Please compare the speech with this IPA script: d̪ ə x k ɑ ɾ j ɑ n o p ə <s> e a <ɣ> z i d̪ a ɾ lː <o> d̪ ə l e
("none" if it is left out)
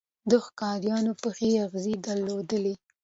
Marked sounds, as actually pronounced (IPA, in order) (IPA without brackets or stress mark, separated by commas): x, ɣ, o